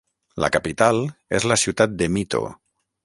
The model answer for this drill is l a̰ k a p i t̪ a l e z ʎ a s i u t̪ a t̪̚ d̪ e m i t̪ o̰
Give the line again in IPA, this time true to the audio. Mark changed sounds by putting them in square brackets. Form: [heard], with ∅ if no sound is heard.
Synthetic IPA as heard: l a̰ k a p i t̪ a l e z [l] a s i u t̪ a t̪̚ d̪ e m i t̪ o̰